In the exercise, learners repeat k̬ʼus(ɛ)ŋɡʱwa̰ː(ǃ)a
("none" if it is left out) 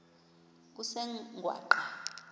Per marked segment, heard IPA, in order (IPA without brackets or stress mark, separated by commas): ɛ, ǃ